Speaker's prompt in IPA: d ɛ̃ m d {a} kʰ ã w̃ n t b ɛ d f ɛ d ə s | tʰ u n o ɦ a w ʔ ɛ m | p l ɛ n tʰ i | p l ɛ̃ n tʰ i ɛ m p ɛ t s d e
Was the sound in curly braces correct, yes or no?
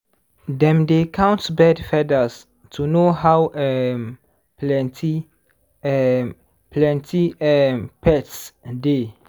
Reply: no